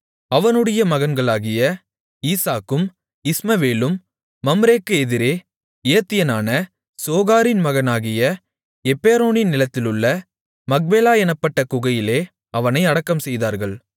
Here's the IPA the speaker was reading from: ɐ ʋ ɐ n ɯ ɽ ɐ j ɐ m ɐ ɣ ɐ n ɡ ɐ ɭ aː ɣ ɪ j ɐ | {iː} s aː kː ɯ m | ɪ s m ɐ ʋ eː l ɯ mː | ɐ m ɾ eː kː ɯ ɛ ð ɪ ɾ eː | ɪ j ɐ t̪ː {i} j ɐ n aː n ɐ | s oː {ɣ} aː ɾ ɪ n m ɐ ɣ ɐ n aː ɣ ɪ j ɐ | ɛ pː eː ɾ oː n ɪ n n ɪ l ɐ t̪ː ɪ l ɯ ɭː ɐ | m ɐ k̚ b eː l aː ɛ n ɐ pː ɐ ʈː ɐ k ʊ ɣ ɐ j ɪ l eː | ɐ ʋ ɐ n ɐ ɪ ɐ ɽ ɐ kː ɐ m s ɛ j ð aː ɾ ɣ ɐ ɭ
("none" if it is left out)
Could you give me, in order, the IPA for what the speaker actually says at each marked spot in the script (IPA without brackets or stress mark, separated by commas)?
iː, ɪ, ɣ